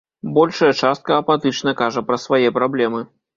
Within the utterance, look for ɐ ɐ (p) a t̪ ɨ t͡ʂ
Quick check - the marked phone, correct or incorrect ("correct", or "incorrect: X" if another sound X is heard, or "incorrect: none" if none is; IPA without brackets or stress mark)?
correct